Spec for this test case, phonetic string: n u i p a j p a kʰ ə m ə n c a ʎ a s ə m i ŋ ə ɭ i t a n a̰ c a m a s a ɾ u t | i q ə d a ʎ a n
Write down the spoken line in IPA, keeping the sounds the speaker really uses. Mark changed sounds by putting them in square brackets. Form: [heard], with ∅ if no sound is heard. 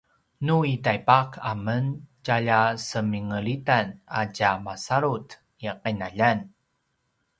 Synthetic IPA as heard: n u i [t] a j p a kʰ [a] m ə n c a ʎ a s ə m i ŋ ə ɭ i t a n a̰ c a m a s a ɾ u t | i q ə [n] a ʎ a n